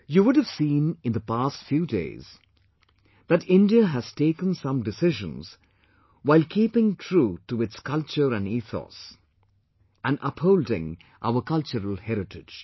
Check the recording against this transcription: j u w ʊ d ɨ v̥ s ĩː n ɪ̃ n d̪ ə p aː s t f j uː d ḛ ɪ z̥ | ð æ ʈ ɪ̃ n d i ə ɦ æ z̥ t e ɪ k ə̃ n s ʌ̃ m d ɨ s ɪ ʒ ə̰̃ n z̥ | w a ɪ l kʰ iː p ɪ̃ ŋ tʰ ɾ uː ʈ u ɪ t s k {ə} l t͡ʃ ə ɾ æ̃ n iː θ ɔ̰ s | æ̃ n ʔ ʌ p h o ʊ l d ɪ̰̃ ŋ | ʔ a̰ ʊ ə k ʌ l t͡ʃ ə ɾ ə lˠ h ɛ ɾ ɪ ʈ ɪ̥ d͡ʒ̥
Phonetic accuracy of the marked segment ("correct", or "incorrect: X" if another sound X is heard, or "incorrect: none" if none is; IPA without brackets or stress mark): incorrect: ʌ